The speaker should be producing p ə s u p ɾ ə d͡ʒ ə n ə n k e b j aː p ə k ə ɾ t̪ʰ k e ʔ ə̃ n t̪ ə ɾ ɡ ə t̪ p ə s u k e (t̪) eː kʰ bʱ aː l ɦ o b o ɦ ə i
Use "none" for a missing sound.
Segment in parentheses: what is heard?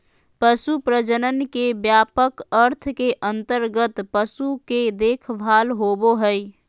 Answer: d̪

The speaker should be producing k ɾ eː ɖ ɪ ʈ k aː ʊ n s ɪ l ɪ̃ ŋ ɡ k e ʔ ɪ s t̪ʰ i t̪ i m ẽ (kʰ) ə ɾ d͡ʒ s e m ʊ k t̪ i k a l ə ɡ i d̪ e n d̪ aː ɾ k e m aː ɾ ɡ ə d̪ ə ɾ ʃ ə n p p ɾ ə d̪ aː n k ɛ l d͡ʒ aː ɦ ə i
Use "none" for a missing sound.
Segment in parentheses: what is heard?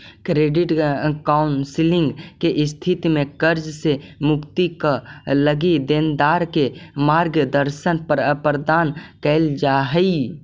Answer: k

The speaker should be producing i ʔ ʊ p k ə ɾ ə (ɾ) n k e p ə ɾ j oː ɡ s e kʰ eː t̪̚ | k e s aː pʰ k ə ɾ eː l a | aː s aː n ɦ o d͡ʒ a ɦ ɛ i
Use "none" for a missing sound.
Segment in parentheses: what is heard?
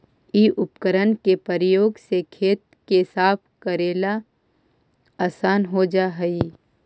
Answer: none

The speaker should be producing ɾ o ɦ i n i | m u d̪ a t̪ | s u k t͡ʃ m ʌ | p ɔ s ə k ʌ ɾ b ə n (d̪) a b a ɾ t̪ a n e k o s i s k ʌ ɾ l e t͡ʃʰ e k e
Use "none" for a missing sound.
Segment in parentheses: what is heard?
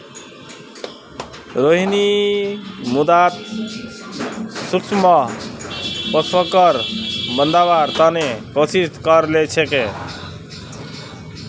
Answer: d̪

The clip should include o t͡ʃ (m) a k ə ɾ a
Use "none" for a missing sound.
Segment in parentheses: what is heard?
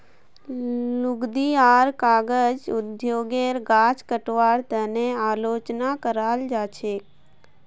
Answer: n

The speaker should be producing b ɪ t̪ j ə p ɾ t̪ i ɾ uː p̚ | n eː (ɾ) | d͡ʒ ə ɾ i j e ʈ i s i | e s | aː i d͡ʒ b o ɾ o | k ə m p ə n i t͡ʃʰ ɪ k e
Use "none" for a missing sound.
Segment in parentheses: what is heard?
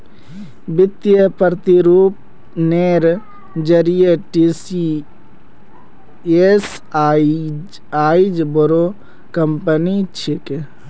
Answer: ɾ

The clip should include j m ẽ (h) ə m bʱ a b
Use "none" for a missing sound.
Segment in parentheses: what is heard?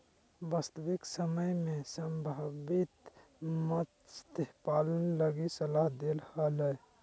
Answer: s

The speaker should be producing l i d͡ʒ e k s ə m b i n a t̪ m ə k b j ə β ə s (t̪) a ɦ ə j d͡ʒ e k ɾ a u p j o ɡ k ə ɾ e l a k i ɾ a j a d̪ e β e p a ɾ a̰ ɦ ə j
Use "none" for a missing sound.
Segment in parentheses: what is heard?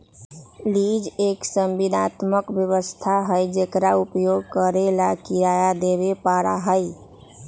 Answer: t̪ʰ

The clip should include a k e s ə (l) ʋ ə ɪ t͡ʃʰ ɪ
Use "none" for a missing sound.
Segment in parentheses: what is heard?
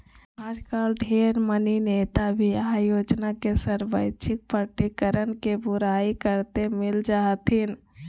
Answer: ɾ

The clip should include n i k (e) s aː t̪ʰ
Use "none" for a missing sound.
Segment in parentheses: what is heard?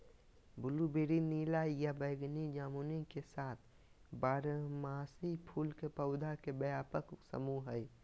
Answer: e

